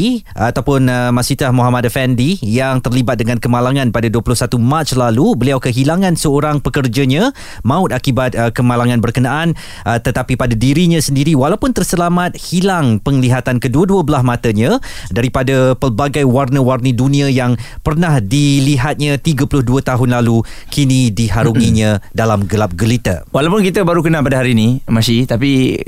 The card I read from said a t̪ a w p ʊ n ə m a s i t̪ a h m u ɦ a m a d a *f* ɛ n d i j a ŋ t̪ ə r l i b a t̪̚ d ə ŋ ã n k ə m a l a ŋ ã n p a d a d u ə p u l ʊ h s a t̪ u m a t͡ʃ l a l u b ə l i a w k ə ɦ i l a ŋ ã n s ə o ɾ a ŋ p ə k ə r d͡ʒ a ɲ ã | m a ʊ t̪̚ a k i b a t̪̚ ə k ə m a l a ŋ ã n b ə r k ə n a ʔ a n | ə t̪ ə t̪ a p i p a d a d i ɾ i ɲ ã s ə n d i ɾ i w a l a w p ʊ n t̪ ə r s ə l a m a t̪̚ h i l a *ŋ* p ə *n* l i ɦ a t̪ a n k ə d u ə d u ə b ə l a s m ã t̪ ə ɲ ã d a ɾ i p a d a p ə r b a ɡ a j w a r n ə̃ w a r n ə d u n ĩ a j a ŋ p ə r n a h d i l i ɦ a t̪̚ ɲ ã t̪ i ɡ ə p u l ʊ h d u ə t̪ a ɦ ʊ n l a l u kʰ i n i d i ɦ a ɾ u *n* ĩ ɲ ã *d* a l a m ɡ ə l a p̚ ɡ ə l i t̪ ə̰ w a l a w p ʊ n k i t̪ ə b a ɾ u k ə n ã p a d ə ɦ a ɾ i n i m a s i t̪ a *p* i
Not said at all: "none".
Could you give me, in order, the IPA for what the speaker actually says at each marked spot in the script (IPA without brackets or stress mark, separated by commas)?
f, ŋ, ŋ, ŋ, d, p